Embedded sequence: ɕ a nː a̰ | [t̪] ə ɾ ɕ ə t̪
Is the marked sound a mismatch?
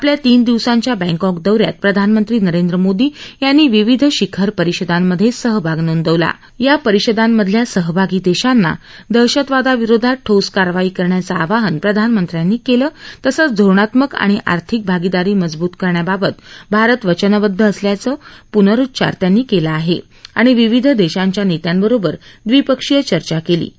yes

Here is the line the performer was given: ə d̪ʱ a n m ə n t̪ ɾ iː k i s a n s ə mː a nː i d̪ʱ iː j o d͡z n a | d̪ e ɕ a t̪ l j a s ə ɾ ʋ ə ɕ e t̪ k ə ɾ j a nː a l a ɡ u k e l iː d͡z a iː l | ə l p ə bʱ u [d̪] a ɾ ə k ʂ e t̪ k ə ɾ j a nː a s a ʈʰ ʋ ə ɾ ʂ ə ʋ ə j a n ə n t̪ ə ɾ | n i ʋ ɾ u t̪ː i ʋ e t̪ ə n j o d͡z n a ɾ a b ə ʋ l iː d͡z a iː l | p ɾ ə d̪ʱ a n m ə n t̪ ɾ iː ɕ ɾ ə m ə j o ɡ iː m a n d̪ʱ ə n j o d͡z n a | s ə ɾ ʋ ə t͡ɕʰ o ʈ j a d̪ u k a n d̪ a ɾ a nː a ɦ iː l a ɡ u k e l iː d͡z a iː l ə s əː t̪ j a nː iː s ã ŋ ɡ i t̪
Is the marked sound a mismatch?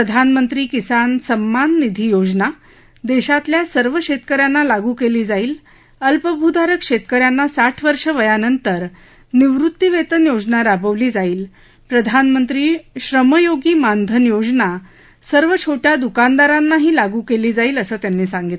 no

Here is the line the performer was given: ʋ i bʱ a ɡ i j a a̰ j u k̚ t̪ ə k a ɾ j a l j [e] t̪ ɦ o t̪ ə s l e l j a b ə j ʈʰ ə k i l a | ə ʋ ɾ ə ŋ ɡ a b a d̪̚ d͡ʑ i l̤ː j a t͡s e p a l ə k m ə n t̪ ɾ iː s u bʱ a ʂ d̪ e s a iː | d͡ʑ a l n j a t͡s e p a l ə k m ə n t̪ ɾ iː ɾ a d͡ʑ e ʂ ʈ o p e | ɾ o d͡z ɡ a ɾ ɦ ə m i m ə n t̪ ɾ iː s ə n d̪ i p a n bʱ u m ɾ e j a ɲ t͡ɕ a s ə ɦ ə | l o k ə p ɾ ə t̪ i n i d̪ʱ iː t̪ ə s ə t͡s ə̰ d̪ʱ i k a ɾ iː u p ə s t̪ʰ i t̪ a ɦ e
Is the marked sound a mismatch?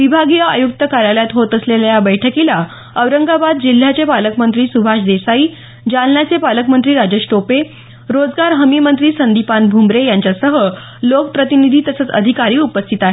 yes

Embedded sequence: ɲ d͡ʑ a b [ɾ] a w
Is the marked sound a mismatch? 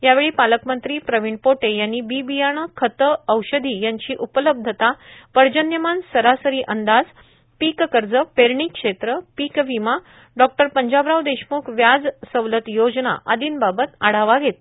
no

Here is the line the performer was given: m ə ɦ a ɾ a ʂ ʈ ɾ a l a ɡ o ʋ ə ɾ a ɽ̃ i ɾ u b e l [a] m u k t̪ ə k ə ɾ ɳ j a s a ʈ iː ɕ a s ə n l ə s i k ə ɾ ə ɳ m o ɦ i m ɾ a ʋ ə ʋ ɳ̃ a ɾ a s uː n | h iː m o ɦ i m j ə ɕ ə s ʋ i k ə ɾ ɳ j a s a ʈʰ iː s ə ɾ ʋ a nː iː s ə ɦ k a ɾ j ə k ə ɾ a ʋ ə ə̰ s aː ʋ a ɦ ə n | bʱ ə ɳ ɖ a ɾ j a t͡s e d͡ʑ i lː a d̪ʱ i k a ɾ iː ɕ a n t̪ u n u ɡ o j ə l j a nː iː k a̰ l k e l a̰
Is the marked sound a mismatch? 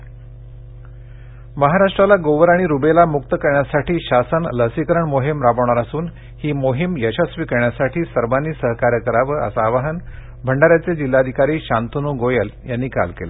no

